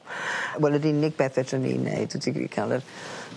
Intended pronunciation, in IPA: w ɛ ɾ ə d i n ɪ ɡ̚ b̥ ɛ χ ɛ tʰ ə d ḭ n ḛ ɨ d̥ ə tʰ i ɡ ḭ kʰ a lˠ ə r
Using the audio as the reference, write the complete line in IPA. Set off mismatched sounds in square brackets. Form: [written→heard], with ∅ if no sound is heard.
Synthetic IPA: w ɛ [ɾ→l] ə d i n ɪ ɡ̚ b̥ ɛ [χ→θ] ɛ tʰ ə [d→n] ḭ n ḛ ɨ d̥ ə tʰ i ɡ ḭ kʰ a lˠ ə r